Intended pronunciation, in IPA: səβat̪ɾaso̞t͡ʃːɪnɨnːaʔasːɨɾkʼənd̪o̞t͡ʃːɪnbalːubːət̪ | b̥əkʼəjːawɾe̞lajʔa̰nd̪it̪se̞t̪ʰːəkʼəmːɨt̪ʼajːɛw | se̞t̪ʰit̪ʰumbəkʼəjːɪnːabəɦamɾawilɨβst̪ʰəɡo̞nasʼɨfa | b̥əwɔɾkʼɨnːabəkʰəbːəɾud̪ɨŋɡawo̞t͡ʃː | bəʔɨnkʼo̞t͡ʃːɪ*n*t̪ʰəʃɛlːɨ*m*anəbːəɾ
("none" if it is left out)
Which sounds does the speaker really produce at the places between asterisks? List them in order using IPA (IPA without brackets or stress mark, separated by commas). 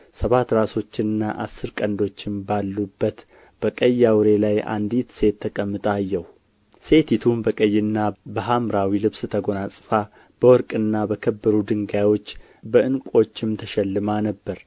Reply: m, m